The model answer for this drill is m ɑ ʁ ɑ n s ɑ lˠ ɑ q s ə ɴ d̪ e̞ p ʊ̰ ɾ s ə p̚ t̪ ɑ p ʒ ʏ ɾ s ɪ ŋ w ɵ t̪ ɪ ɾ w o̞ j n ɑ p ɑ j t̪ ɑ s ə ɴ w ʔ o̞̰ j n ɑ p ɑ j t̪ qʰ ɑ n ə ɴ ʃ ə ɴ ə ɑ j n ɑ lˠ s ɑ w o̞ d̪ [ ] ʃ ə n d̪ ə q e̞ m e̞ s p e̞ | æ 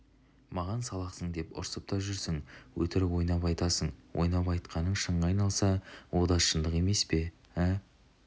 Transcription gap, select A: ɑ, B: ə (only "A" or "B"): A